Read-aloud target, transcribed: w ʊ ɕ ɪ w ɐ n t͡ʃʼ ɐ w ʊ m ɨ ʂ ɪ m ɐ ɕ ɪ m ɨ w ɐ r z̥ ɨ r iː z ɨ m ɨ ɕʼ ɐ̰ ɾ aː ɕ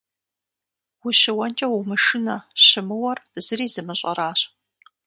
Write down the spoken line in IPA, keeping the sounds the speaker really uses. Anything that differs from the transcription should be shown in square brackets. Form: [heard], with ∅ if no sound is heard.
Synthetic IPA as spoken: w ʊ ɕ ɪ w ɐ n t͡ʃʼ ɐ w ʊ m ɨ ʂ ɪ [n] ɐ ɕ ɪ m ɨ w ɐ r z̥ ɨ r iː z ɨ m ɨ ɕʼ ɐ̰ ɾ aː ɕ